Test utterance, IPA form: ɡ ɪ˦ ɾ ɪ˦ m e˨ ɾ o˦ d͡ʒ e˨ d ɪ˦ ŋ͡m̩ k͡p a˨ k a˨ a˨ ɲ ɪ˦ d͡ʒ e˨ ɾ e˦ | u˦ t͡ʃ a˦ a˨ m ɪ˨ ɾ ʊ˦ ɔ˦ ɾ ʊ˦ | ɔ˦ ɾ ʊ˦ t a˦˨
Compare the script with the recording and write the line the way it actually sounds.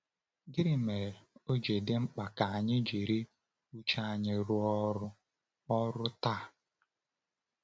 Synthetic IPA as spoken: ɡ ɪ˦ ɾ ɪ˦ m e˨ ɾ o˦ d͡ʒ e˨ d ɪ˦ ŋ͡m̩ k͡p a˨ k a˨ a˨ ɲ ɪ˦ d͡ʒ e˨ ɾ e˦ | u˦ t͡ʃ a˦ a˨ ɲ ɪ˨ ɾ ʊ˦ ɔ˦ ɾ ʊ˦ | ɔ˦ ɾ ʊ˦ t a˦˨

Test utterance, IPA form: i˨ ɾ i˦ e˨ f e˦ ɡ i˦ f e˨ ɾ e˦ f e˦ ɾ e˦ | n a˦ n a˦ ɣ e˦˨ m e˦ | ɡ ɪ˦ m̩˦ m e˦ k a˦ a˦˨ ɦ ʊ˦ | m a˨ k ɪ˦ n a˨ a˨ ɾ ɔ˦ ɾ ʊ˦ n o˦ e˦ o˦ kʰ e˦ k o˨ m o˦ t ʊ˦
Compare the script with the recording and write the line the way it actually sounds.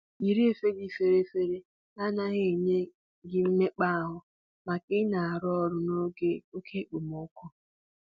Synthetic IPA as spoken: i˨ ɾ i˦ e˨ f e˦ ɡ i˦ f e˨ ɾ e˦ f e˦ ɾ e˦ | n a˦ n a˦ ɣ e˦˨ ɲ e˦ | ɡ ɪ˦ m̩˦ m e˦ k͡p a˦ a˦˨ ɦ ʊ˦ | m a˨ k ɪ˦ n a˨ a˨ ɾ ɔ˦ ɾ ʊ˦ n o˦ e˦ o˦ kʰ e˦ k͡p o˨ m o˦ k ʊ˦

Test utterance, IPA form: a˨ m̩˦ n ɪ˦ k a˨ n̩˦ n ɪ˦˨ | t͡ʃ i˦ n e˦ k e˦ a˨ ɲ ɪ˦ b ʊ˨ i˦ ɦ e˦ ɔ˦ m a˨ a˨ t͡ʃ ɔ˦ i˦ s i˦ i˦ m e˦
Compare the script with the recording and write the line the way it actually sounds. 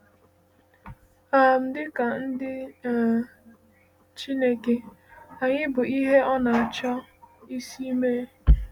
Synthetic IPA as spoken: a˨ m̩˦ d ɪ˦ k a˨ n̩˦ d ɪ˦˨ | t͡ʃ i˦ n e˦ k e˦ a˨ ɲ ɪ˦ b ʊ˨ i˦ ɦ e˦ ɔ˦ n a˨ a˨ t͡ʃ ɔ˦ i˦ s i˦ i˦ m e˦

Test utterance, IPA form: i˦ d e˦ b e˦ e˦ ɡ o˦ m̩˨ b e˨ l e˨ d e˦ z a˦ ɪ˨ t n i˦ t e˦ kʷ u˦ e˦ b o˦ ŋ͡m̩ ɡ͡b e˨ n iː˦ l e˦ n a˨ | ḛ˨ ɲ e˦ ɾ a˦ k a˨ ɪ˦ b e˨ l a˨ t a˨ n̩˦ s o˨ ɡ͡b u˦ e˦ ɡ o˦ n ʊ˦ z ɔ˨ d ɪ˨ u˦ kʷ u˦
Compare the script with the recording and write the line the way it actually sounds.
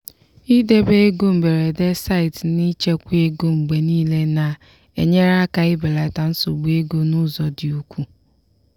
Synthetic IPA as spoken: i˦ d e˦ b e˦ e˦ ɡ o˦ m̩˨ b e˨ ɾ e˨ d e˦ s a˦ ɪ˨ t n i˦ t͡ʃ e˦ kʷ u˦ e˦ ɡ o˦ ŋ͡m̩ ɡ͡b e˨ n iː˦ l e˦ n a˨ | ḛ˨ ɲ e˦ ɾ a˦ k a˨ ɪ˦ b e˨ l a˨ t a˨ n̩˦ s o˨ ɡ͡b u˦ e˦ ɡ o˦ n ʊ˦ z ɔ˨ d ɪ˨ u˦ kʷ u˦

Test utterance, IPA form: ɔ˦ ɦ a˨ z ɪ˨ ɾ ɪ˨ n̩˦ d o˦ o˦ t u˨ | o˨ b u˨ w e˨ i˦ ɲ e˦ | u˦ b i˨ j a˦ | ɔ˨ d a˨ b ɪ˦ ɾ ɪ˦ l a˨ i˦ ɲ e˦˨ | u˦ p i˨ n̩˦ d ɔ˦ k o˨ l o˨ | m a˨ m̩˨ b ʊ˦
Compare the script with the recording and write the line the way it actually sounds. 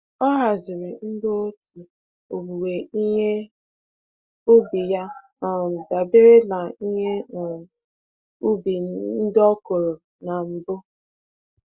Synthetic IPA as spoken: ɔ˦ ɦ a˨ z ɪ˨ ɾ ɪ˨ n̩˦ d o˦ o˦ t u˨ | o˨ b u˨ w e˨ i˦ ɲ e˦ | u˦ b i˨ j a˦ | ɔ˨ d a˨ b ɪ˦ ɾ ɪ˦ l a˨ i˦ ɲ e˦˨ | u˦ b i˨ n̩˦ d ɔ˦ k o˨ ɾ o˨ | n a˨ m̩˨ b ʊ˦

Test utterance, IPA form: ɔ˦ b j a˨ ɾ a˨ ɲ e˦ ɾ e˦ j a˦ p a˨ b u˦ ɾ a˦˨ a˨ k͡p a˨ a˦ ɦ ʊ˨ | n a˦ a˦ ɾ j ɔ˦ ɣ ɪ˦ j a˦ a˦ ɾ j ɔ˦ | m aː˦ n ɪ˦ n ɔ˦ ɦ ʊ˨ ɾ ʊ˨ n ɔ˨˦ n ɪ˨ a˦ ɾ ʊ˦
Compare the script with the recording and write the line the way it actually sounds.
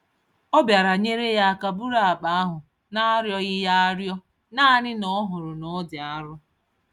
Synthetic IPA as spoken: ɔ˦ b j a˨ ɾ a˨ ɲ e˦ ɾ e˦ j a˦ k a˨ b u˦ ɾ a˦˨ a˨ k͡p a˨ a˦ ɦ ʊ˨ | n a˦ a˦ ɾ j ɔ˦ ɣ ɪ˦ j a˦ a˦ ɾ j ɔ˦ | n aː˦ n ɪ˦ n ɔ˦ ɦ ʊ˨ ɾ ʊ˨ n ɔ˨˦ d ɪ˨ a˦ ɾ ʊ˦

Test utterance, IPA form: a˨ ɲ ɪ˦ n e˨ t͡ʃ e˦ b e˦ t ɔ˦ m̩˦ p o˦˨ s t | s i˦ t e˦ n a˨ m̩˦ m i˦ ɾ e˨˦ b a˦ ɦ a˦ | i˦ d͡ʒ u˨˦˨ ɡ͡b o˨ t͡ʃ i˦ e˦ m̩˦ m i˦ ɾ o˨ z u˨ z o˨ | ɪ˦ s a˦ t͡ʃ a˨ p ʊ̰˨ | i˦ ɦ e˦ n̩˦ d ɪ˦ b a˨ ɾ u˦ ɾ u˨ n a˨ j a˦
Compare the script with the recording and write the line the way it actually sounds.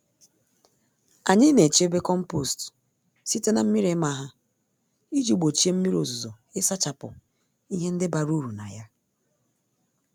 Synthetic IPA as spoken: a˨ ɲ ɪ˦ n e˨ t͡ʃ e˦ b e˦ k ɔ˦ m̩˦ p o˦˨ s t | s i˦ t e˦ n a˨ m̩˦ m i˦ ɾ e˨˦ m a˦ ɦ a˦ | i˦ d͡ʒ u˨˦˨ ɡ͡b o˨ t͡ʃ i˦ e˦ m̩˦ m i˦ ɾ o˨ z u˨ z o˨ | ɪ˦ s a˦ t͡ʃ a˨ p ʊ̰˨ | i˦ ɦ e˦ n̩˦ d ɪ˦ b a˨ ɾ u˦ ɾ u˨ n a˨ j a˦

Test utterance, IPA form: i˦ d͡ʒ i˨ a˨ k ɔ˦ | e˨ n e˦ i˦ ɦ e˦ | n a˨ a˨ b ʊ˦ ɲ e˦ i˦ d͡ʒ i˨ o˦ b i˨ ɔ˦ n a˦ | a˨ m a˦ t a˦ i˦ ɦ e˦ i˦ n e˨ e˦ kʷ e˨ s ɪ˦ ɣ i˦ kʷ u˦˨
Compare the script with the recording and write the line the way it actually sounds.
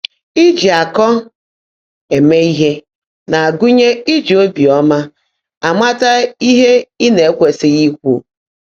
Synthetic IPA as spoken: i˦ d͡ʒ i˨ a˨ k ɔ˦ | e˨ m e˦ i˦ ɦ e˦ | n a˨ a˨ ɡ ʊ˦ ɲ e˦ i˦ d͡ʒ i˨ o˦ b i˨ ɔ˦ m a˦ | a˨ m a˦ t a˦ i˦ ɦ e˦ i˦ n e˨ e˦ kʷ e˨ s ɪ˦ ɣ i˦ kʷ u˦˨

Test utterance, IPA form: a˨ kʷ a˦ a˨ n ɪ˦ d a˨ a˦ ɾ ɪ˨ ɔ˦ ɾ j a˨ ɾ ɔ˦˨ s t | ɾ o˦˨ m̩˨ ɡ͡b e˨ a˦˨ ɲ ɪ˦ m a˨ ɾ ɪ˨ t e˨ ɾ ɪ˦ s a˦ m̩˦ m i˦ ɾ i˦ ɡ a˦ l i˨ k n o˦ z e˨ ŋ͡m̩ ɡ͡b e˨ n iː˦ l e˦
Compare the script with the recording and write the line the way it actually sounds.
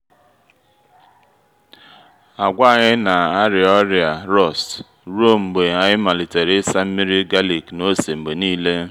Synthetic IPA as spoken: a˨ ɡʷ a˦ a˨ ɲ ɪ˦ n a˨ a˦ ɾ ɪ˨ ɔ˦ ɾ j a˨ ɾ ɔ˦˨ s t | ɾ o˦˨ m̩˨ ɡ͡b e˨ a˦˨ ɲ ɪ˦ m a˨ l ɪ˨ t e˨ ɾ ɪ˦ s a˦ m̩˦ m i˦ ɾ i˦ ɡ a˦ l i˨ k n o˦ s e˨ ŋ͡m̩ ɡ͡b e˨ n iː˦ l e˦

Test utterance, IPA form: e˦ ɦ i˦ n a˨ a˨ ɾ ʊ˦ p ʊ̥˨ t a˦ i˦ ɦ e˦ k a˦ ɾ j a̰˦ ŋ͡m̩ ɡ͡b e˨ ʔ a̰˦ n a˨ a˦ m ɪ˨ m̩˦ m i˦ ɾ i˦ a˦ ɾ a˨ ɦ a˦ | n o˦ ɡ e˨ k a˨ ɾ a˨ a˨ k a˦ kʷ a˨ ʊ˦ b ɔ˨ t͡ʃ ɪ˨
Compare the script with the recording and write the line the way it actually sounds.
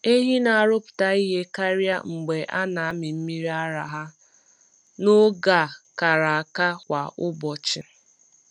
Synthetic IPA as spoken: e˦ ɦ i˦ n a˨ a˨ ɾ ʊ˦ p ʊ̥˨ t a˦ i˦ ɦ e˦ k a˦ ɾ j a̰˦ ŋ͡m̩ ɡ͡b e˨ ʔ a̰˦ n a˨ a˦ m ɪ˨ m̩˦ m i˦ ɾ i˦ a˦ ɾ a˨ ɦ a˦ | n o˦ ɡ a˨ k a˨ ɾ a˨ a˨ k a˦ kʷ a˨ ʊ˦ b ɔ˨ t͡ʃ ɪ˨

